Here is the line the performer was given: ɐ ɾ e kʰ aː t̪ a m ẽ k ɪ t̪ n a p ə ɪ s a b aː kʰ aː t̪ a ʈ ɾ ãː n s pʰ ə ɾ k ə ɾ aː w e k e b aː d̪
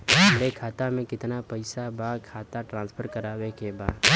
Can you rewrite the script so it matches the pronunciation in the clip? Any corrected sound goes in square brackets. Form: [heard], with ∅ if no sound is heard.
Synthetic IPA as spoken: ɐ ɾ e kʰ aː t̪ a m ẽ k ɪ t̪ n a p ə ɪ s a b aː kʰ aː t̪ a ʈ ɾ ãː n s pʰ ə ɾ k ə ɾ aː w e k e b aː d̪